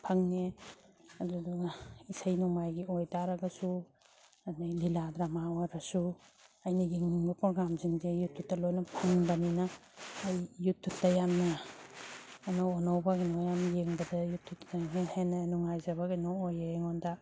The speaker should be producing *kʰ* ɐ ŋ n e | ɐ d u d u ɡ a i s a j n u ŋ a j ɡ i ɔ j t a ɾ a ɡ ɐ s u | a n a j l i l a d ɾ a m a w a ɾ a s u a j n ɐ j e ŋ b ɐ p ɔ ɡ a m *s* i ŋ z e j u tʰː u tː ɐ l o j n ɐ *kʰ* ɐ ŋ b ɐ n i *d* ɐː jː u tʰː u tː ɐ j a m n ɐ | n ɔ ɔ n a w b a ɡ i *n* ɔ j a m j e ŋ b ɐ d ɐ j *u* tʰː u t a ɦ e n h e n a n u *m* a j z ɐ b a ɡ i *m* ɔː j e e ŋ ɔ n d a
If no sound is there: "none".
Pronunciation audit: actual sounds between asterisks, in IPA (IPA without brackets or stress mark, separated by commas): pʰ, z, pʰ, n, n, u, ŋ, n